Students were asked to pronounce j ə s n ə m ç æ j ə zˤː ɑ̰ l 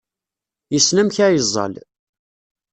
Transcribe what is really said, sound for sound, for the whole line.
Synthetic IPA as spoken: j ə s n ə m ç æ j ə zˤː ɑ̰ l